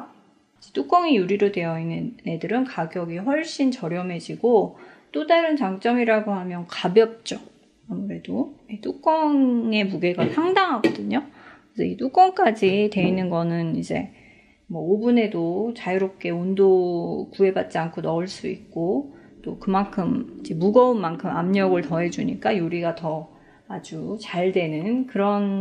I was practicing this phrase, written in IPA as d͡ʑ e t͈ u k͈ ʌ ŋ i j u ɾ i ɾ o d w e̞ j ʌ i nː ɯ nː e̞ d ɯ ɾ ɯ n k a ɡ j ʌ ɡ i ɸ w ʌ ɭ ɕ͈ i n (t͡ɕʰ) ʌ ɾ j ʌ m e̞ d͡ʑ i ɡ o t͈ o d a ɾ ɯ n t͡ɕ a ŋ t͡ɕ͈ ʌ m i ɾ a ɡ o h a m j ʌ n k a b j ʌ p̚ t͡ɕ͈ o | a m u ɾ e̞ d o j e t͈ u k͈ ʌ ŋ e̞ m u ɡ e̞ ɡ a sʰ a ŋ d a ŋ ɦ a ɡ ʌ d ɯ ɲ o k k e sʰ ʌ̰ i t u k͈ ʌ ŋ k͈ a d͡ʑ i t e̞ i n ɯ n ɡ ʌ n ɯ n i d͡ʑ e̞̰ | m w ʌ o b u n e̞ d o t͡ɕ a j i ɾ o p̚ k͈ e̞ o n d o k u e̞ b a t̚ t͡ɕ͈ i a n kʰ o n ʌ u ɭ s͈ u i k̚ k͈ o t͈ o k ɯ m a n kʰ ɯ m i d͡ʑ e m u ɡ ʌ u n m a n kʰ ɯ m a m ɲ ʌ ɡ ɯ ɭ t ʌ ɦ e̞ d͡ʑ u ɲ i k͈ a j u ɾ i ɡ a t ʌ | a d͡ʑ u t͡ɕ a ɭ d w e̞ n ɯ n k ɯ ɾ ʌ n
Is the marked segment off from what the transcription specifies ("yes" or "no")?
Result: yes